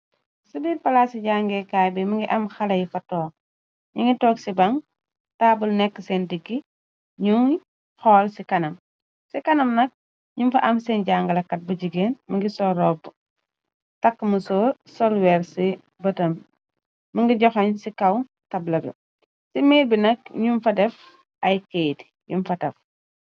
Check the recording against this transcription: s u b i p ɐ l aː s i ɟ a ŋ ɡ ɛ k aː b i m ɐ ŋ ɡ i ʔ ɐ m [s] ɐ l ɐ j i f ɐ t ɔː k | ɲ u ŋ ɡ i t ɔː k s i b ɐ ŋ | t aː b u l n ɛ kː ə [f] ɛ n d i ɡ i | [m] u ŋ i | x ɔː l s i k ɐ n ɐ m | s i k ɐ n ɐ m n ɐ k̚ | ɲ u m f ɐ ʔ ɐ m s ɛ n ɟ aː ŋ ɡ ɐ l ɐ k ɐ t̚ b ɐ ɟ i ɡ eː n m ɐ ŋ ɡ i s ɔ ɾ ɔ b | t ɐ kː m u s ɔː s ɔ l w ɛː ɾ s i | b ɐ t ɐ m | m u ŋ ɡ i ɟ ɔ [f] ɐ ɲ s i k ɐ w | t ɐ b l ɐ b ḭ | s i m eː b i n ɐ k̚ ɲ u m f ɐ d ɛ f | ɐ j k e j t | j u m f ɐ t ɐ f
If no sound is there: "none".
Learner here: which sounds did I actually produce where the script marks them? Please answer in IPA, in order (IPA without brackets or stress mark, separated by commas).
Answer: x, s, ɲ, x